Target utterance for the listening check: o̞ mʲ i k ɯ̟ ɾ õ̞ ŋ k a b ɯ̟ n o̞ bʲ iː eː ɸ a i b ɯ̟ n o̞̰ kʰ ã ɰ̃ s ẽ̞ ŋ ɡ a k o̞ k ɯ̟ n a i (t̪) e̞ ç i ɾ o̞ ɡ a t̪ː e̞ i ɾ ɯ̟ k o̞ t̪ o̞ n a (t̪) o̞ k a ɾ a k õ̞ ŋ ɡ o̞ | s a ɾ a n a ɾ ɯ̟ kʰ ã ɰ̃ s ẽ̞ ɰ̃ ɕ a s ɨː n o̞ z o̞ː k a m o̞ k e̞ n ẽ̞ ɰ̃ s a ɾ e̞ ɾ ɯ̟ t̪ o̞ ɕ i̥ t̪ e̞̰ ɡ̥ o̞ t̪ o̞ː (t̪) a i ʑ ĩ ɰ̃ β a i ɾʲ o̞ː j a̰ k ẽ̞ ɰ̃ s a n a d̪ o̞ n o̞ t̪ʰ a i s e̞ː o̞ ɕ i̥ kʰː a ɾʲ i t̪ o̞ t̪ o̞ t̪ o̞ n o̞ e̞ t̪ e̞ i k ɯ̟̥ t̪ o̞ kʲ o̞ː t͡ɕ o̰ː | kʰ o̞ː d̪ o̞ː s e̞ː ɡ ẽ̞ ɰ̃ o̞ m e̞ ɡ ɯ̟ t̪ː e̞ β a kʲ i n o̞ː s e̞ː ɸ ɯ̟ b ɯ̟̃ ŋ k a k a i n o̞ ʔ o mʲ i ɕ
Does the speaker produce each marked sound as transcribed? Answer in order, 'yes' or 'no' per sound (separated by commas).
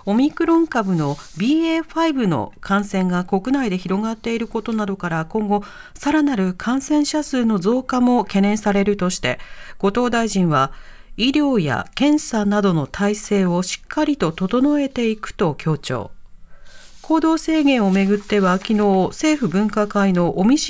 no, no, no